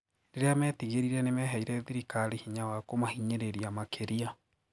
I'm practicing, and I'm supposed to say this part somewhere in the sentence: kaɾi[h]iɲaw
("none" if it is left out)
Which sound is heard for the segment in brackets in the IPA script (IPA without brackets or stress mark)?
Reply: h